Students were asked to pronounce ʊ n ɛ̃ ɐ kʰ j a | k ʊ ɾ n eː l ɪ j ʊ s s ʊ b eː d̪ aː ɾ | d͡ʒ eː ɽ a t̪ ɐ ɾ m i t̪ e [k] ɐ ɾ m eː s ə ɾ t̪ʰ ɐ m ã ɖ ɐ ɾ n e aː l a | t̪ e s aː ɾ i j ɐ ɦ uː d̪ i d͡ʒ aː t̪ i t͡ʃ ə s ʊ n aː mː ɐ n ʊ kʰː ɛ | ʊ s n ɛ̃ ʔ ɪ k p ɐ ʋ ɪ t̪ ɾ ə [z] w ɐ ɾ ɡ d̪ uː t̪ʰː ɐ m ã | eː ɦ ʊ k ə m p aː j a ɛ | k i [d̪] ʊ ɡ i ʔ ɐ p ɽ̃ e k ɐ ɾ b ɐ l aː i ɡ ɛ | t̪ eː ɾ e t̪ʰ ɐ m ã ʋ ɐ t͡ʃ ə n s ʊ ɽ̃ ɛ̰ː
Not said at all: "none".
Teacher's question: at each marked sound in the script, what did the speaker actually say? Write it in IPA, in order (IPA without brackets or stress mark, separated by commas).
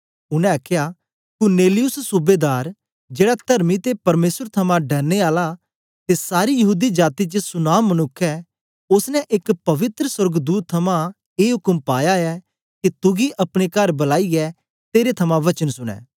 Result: p, s, t̪